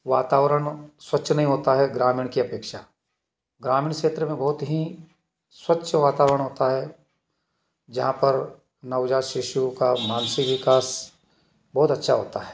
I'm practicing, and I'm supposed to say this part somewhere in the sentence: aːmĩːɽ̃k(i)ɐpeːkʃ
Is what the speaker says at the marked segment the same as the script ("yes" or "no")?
yes